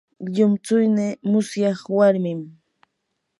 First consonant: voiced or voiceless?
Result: voiced